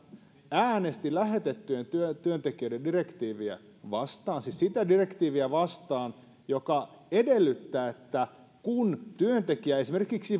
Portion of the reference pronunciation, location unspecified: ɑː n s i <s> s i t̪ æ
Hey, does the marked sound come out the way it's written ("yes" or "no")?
yes